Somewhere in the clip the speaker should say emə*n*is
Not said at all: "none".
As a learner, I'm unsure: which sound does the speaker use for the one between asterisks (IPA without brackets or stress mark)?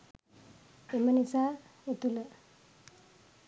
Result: n